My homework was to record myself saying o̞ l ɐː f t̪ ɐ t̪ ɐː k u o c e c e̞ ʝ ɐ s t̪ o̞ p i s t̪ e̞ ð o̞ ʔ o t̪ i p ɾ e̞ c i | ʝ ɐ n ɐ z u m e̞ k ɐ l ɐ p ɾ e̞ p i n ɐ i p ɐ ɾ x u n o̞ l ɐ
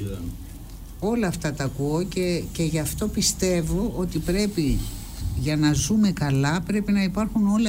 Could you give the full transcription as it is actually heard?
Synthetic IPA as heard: o̞ l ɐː f t̪ ɐ t̪ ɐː k u o c e c e̞ ʝ ɐ f t̪ o̞ p i s t̪ e̞ v o̞ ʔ o t̪ i p ɾ e̞ p i | ʝ ɐ n ɐ z u m e̞ k ɐ l ɐ p ɾ e̞ p i n ɐ i p ɐ ɾ x u n o̞ l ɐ